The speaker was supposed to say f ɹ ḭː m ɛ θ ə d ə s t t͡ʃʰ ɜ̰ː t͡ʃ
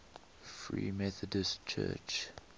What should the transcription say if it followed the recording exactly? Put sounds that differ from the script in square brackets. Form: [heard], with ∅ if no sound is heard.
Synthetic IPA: f ɹ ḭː m ɛ θ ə d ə s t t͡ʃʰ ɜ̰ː t͡ʃ